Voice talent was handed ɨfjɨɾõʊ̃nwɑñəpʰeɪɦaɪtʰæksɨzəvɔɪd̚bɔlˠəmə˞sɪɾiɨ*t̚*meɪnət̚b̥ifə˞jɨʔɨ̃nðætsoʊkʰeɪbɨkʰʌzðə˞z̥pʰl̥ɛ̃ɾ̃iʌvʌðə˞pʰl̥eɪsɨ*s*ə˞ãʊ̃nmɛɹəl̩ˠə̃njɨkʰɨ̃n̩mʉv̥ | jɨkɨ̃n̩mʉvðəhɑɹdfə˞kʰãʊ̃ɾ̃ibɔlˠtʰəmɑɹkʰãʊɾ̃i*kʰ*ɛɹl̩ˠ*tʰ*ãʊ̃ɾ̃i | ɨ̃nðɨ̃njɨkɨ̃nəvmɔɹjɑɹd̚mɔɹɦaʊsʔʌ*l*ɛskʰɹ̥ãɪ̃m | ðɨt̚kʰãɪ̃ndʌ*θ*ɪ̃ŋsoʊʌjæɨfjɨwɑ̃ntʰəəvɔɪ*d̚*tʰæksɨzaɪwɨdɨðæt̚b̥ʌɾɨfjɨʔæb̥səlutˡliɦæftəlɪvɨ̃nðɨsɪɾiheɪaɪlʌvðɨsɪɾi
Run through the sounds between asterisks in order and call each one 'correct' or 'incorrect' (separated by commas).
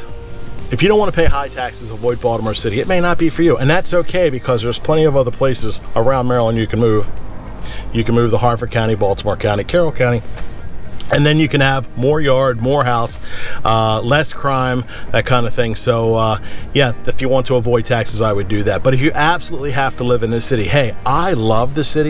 correct, incorrect, correct, incorrect, correct, correct, correct